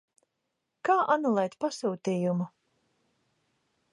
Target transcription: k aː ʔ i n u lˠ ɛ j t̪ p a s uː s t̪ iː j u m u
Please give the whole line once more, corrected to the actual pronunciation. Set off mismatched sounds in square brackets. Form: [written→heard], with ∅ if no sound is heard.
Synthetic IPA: k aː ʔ [i→a] n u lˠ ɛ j t̪ p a s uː [s→∅] t̪ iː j u m u

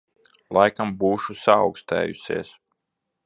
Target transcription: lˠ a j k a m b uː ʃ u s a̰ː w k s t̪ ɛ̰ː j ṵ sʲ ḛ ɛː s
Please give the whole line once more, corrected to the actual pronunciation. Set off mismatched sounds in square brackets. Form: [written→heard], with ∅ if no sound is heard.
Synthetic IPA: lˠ a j k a m b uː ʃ u s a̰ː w k s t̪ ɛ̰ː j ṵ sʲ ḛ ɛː s

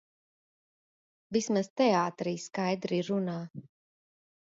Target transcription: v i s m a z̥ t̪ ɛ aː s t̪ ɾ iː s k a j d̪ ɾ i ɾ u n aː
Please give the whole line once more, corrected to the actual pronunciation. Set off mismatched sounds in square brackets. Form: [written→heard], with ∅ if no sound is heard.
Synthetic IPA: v i s m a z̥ t̪ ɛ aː [s→∅] t̪ ɾ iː s k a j d̪ ɾ i ɾ u n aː

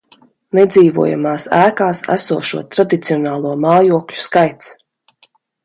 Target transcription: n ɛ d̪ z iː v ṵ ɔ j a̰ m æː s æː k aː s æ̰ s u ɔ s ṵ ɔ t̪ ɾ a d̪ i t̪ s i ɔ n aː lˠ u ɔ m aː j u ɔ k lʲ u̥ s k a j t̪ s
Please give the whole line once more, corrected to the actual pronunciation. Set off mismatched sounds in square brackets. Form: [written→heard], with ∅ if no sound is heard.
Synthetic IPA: n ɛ d̪ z iː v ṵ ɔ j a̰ m [æː→aː] s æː k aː s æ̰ s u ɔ [s→ʃ] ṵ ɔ t̪ ɾ a d̪ i t̪ s i ɔ n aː lˠ u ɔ m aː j u ɔ k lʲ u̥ s k a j t̪ s

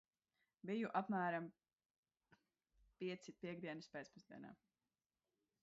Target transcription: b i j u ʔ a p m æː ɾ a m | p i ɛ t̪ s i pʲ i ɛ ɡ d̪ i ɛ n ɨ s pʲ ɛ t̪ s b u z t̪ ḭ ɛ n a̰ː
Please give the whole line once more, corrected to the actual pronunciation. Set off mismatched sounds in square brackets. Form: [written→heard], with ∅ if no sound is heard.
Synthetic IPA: b i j u ʔ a p m æː ɾ a m | p i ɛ t̪ s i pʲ i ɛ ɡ d̪ i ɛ n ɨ s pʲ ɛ t̪ s [b→p] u z [t̪→d̪] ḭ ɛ n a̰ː

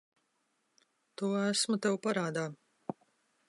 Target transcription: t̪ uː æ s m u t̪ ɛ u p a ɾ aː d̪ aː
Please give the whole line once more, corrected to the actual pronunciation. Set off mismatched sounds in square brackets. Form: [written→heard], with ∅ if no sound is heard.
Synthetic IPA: t̪ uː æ s m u t̪ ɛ [u→w] p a ɾ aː d̪ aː

